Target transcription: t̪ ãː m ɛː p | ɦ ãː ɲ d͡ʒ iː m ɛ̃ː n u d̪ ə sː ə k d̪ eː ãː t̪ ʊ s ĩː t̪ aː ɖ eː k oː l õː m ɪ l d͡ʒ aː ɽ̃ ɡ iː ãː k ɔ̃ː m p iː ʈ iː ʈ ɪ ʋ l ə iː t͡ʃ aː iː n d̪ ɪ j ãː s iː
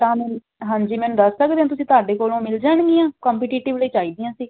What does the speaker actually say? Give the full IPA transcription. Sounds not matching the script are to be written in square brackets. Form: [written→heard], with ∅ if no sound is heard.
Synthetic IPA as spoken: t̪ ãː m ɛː [p→∅] | ɦ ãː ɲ d͡ʒ iː m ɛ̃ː n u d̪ ə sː ə k d̪ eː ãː t̪ ʊ s ĩː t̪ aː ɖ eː k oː l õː m ɪ l d͡ʒ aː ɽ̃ ɡ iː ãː k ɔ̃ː m p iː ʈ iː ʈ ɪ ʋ l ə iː t͡ʃ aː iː [n→∅] d̪ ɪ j ãː s iː